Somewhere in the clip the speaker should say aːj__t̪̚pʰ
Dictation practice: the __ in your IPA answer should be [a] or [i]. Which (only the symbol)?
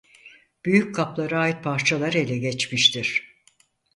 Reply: i